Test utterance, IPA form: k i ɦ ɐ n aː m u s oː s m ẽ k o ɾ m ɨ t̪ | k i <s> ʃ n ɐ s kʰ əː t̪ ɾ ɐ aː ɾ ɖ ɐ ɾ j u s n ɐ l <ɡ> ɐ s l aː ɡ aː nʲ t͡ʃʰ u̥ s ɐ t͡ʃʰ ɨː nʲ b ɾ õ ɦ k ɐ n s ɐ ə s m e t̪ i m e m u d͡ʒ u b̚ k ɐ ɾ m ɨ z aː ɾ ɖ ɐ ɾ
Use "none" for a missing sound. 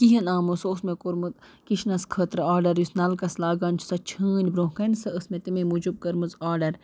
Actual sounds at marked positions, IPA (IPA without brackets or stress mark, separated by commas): none, k